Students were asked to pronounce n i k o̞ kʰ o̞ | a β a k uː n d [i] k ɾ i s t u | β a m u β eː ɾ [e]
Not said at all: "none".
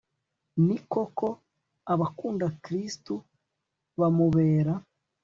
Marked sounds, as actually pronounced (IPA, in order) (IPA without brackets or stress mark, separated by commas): a, a